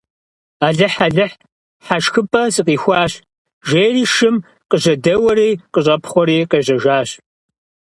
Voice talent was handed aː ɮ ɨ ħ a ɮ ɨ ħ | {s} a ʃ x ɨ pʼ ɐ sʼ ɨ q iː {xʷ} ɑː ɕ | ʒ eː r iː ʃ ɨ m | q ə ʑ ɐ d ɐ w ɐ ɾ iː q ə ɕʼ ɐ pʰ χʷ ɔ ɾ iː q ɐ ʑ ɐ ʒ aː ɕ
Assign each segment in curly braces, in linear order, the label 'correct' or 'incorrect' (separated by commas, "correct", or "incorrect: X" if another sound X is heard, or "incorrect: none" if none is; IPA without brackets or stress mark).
incorrect: ħ, correct